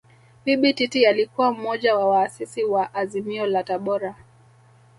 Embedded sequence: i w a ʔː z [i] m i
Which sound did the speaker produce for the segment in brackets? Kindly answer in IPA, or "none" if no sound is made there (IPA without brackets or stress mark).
i